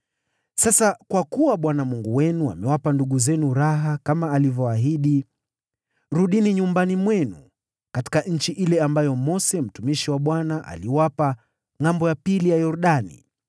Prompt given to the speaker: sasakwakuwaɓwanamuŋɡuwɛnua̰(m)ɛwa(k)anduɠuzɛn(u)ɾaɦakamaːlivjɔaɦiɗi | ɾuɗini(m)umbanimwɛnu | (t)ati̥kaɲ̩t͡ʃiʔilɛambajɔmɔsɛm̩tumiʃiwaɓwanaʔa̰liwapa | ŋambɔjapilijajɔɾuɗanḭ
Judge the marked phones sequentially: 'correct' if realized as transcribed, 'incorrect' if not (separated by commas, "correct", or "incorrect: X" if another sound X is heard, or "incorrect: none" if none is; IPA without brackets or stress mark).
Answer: correct, incorrect: p, correct, incorrect: ɲ, incorrect: k